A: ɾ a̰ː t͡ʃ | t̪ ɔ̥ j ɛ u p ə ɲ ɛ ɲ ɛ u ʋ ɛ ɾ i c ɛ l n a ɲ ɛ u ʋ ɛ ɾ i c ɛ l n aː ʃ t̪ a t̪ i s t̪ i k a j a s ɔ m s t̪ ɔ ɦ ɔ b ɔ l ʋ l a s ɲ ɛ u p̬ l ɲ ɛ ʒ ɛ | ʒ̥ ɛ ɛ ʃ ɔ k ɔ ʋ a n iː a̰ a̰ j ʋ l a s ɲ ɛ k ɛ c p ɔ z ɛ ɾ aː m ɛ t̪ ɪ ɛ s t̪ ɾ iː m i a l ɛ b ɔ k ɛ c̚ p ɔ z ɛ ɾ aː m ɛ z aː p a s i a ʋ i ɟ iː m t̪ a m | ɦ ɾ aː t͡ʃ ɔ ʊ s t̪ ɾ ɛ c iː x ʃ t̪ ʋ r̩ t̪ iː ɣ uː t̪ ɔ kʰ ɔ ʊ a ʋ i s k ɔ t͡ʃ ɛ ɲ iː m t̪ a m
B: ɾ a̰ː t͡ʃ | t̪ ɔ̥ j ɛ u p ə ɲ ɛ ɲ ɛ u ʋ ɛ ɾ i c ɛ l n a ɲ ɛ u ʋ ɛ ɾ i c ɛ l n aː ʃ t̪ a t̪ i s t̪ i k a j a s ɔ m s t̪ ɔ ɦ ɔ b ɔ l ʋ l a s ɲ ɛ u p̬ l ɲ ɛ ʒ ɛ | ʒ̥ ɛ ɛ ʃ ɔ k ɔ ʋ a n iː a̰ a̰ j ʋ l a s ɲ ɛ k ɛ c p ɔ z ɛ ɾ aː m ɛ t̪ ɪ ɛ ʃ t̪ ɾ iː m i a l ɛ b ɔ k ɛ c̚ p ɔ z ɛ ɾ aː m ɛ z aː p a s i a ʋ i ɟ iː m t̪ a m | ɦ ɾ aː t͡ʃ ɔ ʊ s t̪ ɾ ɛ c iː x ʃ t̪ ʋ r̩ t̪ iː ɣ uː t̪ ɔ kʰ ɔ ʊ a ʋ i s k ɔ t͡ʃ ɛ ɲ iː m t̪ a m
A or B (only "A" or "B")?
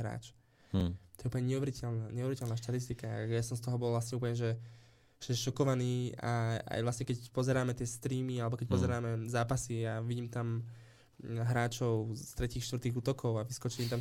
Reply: A